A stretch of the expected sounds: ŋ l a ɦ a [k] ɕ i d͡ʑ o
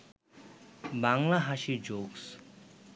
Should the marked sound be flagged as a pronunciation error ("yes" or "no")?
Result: yes